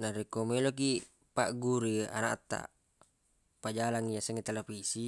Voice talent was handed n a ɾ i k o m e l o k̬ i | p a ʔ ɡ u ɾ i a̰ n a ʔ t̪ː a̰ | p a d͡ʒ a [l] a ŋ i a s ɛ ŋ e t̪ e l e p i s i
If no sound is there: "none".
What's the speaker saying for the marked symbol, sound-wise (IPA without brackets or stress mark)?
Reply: l